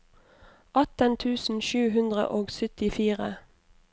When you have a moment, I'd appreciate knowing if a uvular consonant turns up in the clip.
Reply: yes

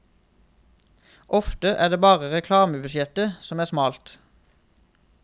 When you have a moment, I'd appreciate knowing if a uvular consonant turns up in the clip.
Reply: yes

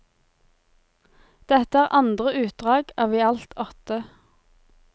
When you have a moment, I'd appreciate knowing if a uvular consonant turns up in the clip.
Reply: yes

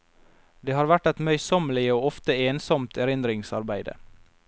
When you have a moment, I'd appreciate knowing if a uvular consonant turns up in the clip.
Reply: no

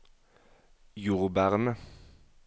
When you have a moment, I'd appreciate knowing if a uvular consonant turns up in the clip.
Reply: yes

